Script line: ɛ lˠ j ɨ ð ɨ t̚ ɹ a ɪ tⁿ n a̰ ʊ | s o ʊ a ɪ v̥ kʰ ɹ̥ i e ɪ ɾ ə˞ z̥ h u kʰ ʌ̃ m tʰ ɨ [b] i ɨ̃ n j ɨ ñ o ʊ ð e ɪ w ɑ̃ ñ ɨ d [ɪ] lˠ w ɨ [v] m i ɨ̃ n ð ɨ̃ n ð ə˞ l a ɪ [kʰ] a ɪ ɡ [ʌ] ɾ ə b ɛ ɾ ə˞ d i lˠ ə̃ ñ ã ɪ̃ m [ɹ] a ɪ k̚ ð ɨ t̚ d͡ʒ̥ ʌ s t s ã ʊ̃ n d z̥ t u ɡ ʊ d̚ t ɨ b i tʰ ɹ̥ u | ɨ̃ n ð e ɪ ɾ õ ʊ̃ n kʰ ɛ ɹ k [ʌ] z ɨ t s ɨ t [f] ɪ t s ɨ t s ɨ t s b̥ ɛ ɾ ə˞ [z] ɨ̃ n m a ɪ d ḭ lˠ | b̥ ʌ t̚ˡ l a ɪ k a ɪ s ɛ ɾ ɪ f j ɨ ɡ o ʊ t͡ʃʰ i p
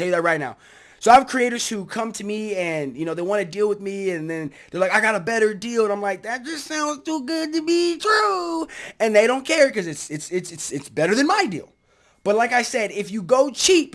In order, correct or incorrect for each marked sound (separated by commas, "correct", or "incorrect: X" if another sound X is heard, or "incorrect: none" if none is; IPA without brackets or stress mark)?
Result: incorrect: m, incorrect: i, incorrect: ð, incorrect: k, incorrect: ɑ, incorrect: l, correct, incorrect: s, incorrect: ð